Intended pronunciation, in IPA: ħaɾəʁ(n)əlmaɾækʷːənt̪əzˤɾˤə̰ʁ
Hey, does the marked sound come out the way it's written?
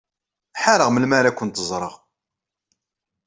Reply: no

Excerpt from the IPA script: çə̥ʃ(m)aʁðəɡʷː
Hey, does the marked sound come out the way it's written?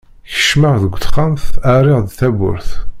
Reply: yes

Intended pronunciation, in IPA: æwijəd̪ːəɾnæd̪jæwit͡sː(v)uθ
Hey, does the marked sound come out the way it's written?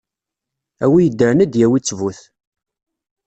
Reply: yes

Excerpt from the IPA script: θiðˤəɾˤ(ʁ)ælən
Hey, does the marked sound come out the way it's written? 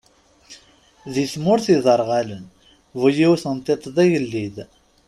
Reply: yes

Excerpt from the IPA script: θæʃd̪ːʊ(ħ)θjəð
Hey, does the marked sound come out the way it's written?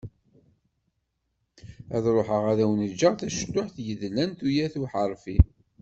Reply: yes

